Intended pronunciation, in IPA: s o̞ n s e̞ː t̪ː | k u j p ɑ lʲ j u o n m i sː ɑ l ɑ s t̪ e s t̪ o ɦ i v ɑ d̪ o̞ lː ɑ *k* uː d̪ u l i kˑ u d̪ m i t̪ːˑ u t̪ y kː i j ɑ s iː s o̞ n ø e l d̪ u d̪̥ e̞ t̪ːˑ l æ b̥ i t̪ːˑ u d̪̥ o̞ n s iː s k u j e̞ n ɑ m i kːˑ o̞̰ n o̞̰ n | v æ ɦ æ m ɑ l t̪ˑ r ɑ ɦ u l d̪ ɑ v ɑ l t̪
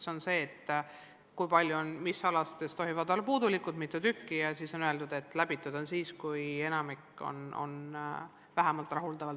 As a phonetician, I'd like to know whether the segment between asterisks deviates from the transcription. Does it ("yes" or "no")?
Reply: yes